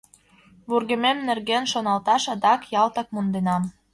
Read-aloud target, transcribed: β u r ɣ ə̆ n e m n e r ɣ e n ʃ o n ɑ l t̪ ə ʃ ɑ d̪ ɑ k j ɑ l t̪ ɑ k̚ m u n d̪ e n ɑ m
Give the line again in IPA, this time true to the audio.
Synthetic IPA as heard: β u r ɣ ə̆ m e m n e r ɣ e n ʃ o n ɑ l t̪ ɑ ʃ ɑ d̪ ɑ k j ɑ l t̪ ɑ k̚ m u n d̪ e n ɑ m